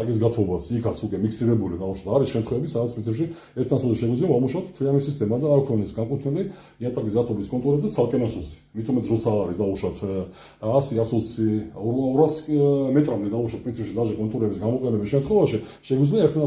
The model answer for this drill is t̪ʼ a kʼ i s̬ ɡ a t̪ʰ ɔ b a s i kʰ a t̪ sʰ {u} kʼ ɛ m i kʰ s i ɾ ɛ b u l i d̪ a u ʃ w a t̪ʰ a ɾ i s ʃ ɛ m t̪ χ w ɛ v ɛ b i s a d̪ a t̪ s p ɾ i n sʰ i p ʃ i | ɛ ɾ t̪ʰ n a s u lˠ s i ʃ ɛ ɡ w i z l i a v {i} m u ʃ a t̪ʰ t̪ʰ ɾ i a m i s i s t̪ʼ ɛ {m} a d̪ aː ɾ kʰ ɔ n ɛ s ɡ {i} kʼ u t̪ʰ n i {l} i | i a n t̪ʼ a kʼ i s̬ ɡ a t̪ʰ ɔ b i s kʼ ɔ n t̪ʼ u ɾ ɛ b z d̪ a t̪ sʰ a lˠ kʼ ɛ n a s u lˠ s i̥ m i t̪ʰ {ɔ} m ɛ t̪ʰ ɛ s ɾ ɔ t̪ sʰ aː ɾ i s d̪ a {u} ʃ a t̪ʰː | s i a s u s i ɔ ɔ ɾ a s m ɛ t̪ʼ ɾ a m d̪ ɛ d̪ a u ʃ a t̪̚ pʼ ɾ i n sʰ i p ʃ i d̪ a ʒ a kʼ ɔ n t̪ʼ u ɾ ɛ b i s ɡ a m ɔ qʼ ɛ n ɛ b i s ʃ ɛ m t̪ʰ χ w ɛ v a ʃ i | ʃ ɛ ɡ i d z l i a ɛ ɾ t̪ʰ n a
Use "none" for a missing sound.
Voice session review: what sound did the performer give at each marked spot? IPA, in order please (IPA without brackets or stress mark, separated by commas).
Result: u, a, m, a, l, u, u